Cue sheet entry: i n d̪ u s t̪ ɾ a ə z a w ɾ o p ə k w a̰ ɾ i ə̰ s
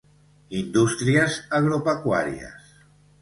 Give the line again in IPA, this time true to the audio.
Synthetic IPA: i n d̪ u s t̪ ɾ i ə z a ɣ ɾ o p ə k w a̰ ɾ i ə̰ s